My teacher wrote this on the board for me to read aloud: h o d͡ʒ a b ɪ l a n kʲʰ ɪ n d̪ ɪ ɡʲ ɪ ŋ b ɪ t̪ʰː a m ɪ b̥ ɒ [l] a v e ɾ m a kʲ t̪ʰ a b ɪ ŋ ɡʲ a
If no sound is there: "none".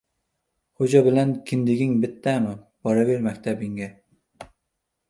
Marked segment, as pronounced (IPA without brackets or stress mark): ɾ